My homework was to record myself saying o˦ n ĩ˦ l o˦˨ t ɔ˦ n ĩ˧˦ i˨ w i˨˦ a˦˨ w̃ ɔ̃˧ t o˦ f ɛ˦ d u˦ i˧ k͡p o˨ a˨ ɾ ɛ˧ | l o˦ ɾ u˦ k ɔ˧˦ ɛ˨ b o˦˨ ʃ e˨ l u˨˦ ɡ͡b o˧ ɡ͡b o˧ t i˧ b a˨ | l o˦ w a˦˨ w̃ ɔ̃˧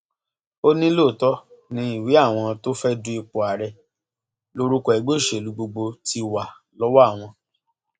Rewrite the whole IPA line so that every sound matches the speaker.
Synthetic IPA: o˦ n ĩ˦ l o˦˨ t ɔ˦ n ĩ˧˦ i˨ w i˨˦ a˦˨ w̃ ɔ̃˧ t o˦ f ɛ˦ d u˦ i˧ k͡p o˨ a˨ ɾ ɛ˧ | l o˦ ɾ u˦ k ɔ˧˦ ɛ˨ ɡ͡b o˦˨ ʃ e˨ l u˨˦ ɡ͡b o˧ ɡ͡b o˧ t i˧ w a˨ | l ɔ˦ w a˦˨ w̃ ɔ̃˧